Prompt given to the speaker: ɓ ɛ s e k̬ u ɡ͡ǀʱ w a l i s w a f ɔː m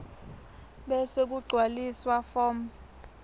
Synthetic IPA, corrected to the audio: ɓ ɛ s e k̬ u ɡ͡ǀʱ w a l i s w a f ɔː m